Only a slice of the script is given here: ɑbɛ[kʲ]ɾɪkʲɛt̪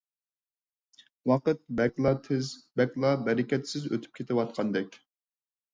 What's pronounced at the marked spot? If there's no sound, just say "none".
none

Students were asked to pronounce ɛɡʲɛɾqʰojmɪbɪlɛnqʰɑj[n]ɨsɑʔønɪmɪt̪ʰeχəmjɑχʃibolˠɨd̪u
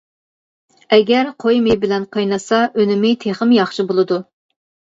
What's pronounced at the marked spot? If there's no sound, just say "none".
n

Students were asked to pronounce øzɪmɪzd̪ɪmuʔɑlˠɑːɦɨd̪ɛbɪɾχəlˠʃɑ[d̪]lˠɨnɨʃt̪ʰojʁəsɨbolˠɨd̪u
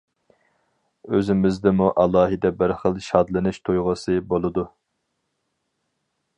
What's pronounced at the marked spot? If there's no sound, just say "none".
d̪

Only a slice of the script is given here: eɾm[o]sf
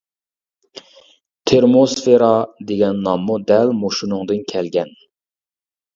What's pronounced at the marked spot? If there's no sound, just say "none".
o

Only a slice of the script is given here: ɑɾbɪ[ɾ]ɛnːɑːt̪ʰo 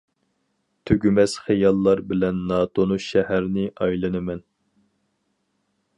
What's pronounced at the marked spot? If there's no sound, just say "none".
l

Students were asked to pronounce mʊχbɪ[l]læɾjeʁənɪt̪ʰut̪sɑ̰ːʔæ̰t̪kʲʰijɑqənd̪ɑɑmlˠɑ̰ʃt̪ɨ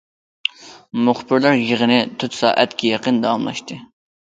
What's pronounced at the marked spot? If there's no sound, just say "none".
ɾ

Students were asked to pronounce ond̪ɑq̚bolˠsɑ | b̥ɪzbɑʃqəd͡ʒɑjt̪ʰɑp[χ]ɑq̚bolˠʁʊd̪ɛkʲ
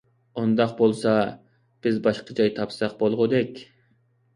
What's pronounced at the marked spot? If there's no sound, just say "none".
s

